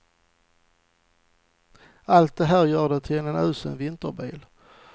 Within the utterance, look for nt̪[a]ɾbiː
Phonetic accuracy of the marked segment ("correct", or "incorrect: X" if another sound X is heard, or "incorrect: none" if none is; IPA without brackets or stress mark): incorrect: ə